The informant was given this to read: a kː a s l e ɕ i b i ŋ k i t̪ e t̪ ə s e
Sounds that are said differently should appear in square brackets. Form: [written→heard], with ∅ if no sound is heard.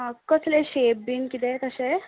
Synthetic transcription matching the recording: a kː [a→ə] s l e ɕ [i→e] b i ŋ k i t̪ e t̪ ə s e